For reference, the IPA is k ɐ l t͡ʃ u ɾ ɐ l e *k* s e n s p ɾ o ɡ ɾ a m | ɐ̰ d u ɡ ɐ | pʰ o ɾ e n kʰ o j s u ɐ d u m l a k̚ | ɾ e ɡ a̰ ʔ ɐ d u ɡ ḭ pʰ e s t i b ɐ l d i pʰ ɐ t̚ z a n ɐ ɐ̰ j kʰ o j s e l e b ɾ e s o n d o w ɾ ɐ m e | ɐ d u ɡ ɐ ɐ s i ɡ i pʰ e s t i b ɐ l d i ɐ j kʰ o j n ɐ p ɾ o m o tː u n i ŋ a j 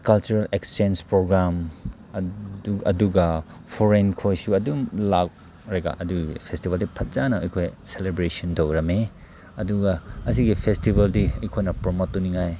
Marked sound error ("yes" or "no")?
no